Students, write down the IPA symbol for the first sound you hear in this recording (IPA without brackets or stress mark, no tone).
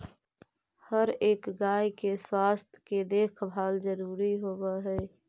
h